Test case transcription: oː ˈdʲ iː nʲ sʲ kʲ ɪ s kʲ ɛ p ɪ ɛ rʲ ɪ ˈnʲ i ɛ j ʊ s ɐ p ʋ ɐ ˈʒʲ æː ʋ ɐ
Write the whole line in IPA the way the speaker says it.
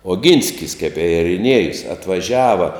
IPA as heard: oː ˈɡʲ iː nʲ sʲ kʲ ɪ s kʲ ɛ p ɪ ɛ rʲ ɪ ˈnʲ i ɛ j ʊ s ɐ t ʋ ɐ ˈʒʲ æː ʋ ɐ